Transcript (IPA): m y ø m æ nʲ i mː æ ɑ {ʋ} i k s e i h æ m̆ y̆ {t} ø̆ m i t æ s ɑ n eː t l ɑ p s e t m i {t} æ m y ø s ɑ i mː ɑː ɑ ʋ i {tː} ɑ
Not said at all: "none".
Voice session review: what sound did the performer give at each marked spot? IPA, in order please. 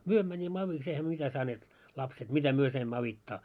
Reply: ʋ, none, t, tː

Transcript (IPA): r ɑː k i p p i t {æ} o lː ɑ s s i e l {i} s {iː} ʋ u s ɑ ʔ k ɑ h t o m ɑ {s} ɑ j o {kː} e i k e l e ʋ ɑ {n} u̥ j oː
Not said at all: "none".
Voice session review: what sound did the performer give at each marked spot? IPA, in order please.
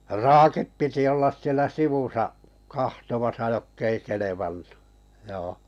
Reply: i, æ, i, s, kː, nː

